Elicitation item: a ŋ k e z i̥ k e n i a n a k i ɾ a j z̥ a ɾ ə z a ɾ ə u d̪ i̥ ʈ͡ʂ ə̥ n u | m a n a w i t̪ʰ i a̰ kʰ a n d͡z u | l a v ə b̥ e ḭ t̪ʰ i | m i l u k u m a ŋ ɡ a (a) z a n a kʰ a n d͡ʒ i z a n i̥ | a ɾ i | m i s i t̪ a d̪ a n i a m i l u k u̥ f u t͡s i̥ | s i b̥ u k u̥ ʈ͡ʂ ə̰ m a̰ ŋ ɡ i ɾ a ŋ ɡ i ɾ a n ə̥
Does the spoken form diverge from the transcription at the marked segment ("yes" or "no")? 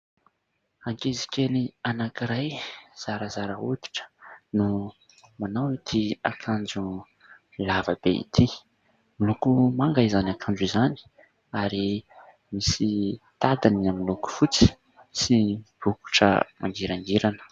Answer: yes